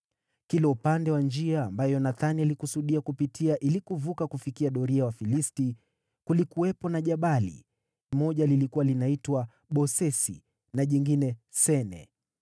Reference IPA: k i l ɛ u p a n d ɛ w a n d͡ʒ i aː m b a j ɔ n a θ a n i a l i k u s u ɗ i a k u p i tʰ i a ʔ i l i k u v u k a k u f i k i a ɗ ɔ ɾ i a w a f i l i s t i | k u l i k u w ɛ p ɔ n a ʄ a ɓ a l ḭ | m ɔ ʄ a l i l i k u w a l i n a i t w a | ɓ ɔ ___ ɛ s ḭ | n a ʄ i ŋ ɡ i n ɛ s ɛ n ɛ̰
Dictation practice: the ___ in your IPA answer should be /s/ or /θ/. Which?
s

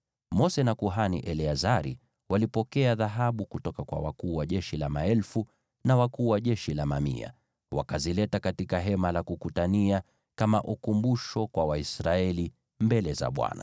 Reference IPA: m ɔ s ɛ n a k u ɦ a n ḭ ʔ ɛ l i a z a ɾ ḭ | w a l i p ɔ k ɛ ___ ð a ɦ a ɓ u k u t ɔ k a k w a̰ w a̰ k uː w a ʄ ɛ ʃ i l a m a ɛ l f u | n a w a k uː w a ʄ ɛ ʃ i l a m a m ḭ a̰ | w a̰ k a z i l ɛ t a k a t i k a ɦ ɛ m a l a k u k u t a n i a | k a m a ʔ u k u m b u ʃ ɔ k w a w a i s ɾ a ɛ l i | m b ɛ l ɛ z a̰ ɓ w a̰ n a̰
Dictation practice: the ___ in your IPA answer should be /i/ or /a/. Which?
a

